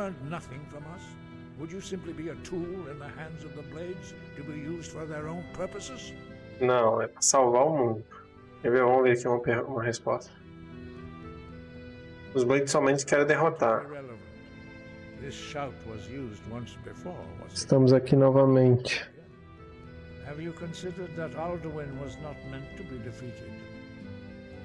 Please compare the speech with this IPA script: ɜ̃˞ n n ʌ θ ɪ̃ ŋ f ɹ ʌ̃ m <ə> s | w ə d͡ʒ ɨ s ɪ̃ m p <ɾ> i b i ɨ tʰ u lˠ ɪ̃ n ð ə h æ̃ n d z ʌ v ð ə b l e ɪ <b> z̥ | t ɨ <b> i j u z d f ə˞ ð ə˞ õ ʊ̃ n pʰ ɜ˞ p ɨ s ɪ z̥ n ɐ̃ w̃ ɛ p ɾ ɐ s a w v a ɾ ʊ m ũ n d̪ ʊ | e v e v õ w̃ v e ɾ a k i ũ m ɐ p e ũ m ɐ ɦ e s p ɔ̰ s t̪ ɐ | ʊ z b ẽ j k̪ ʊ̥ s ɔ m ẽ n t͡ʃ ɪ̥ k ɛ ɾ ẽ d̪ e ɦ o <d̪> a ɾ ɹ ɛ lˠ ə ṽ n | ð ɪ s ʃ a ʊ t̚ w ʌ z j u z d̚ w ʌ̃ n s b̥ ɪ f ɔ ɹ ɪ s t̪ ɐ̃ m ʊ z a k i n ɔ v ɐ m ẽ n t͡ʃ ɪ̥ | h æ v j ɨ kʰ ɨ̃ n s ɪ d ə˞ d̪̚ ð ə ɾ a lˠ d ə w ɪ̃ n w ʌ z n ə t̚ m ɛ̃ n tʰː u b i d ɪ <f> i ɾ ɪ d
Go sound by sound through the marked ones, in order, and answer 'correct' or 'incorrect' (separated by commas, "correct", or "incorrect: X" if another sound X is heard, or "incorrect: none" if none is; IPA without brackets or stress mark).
incorrect: ʌ, incorrect: l, incorrect: d, correct, incorrect: t̪, correct